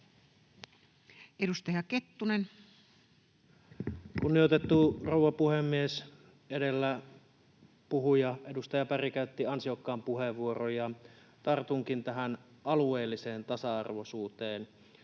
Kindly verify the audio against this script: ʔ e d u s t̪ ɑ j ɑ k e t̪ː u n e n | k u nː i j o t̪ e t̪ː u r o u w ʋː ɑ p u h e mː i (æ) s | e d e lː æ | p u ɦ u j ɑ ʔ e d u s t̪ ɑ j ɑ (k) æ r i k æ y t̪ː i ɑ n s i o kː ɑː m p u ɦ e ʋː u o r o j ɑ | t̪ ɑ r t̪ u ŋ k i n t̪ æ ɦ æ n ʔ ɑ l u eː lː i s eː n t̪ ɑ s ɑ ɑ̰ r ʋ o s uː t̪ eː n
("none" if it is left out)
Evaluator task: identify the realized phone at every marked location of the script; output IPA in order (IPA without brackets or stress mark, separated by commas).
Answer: e, p